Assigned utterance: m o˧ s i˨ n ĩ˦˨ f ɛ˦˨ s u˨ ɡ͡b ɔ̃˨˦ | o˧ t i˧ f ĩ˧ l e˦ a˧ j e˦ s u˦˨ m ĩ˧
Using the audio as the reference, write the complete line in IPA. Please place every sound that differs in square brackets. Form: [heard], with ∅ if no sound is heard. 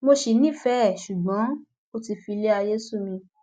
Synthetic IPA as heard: m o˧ [ʃ] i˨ n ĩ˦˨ f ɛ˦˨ [ʃ] u˨ ɡ͡b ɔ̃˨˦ | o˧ t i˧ f [i˧] l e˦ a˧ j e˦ s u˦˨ m ĩ˧